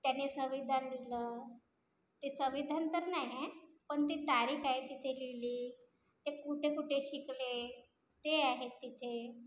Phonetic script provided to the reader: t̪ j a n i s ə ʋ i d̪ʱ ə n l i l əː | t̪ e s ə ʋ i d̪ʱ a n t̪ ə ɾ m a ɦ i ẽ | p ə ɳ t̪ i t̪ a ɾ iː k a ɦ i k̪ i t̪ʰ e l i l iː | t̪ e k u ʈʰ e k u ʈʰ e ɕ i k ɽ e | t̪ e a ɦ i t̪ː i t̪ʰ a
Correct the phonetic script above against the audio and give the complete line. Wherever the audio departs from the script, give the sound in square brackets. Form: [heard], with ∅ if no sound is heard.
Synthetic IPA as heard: t̪ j a n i s ə ʋ i d̪ʱ [a] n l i l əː | t̪ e s ə ʋ i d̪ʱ a n t̪ ə ɾ [n] a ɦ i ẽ | p ə ɳ t̪ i t̪ a ɾ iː k a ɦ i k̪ i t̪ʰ e l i l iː | t̪ e k u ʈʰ e k u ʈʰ e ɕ i k [l] e | t̪ e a ɦ [e] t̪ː i t̪ʰ [e]